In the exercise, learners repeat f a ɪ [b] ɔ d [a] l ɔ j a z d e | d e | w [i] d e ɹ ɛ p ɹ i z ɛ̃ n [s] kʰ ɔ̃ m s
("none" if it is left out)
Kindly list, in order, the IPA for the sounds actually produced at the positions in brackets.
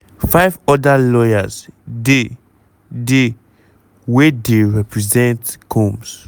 v, a, e, t

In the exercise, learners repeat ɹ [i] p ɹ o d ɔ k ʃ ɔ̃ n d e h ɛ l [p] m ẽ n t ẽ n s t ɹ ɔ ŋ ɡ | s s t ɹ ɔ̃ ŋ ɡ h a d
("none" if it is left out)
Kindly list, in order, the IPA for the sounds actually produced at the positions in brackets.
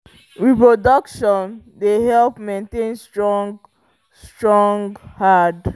i, p

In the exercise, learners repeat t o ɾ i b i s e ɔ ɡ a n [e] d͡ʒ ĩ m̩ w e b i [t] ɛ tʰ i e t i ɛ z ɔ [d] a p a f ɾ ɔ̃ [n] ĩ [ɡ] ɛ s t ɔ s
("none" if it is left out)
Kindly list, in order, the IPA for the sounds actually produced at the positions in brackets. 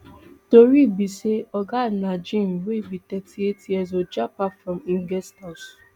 a, t, d͡ʒ, m, ɡ

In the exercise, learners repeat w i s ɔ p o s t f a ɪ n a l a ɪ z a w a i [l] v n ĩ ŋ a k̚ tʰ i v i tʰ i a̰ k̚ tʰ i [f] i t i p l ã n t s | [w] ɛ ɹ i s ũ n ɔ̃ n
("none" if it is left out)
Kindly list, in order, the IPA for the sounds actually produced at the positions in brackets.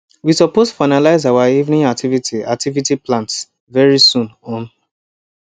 none, v, v

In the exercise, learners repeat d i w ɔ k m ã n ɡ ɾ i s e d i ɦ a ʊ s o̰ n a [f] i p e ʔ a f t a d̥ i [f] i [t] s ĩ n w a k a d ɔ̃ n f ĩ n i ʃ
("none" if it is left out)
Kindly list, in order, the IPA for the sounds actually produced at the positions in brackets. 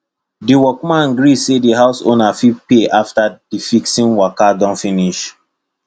f, f, k

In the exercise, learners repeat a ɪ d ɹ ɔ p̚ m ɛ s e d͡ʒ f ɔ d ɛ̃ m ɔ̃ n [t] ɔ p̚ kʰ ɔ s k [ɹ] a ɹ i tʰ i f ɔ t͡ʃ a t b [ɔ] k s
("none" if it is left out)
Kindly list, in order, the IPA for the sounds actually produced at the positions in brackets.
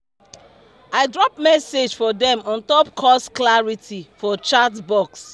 t, l, ɔ

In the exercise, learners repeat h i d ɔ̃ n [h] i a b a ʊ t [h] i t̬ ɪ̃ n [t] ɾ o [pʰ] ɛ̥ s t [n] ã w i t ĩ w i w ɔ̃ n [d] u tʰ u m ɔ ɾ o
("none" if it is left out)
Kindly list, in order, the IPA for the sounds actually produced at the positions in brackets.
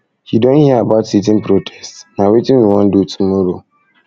h, s, p, tʰ, n, d

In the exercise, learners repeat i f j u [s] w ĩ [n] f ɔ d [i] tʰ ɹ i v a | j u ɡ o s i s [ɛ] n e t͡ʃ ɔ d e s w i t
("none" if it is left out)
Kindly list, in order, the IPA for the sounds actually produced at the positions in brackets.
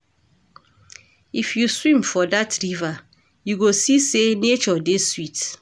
s, m, a, e

